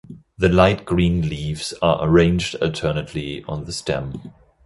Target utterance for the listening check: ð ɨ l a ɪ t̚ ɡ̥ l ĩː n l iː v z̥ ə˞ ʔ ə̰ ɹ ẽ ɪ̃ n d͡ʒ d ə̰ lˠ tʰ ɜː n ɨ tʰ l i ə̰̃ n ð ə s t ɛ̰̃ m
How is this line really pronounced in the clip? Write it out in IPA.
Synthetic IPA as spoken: ð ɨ l a ɪ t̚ ɡ̥ ɹ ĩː n l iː v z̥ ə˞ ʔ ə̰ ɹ ẽ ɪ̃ n d͡ʒ d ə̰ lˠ tʰ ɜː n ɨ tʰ l i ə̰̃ n ð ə s t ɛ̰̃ m